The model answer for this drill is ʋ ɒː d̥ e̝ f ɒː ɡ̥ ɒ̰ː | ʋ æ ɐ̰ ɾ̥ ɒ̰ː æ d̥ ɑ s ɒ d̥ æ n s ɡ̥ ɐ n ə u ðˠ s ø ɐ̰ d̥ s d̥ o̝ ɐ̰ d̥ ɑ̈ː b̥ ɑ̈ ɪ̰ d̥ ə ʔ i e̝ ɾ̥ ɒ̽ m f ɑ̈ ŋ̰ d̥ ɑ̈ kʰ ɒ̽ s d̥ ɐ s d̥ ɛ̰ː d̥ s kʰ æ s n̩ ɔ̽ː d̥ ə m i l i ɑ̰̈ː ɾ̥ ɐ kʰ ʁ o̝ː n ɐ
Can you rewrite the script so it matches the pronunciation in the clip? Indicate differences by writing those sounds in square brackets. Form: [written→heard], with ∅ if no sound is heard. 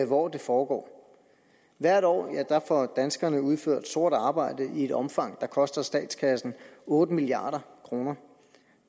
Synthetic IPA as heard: ʋ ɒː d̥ e̝ f ɒː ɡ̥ ɒ̰ː | ʋ æ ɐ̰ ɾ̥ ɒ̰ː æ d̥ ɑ [s→f] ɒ d̥ æ n s ɡ̥ ɐ n ə u ðˠ [s→f] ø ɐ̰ d̥ s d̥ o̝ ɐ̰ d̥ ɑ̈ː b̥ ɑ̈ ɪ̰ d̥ ə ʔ i e̝ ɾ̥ ɒ̽ m f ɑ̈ ŋ̰ d̥ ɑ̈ kʰ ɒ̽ s d̥ ɐ s d̥ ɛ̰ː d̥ s kʰ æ s n̩ ɔ̽ː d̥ ə m i l i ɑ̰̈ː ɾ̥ ɐ kʰ ʁ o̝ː n ɐ

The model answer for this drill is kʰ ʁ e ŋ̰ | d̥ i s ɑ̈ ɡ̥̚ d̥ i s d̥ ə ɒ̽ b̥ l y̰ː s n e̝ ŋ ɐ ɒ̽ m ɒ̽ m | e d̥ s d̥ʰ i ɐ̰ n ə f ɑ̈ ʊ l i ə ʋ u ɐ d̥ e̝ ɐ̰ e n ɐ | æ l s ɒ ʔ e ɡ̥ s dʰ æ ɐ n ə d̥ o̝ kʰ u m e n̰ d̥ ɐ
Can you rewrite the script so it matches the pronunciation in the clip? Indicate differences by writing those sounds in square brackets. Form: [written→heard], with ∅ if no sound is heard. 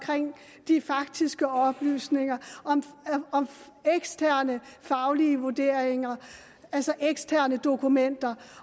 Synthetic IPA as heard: kʰ ʁ e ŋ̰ | d̥ i [s→f] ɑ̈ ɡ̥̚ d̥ i s [d̥→ɡ̥] ə ɒ̽ b̥ l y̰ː s n e̝ ŋ ɐ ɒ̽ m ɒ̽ m | e [d̥→ɡ̥] s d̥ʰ [i→æ] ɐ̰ n ə f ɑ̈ ʊ l i ə ʋ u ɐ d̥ e̝ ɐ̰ e [n→ŋ] ɐ | æ l s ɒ ʔ e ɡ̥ s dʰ æ ɐ n ə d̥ o̝ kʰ u m e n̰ d̥ ɐ

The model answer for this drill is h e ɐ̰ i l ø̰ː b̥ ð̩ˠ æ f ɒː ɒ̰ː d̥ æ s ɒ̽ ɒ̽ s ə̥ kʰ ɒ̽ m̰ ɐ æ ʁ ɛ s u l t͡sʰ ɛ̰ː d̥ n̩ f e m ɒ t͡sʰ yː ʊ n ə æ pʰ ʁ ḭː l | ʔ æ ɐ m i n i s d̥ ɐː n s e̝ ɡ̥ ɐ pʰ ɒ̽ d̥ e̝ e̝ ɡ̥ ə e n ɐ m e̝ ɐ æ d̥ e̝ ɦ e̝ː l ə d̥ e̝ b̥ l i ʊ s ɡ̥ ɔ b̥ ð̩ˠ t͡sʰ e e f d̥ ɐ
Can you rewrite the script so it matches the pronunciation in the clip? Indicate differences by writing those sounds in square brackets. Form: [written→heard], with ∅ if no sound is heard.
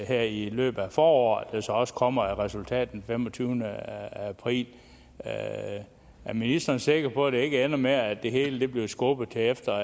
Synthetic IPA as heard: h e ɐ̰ i l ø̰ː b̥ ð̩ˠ æ f ɒː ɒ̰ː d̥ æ s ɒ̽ ɒ̽ s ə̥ kʰ ɒ̽ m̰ ɐ æ ʁ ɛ s u l t͡sʰ ɛ̰ː d̥ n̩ f e m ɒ t͡sʰ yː ʊ n ə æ pʰ ʁ ḭː l | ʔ æ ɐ m i n i s d̥ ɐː n s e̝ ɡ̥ ɐ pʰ ɒ̽ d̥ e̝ e̝ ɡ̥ ə e n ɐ m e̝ ɐ æ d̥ e̝ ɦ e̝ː l ə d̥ e̝ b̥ l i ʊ s ɡ̥ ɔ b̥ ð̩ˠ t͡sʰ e e f d̥ ɐ

